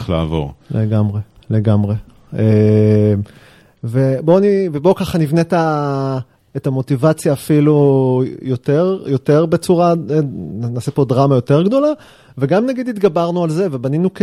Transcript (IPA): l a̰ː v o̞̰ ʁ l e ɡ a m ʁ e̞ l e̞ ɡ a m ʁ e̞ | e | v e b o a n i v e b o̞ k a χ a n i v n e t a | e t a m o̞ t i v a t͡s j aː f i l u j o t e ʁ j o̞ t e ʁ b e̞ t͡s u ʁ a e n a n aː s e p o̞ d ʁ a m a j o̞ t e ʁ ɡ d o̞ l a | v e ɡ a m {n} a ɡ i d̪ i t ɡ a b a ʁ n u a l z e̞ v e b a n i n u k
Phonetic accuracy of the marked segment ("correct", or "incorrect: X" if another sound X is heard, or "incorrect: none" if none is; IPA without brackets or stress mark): correct